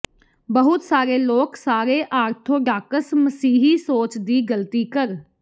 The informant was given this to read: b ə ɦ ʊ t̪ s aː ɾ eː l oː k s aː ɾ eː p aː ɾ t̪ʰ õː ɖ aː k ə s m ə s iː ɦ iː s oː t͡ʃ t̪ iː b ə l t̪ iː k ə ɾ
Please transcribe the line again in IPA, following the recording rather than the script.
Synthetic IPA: b ə ɦ ʊ t̪ s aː ɾ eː l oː k s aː ɾ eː ʔ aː ɾ t̪ʰ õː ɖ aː k ə s m ə s iː ɦ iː s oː t͡ʃ d̪ iː ɡ ə l t̪ iː k ə ɾ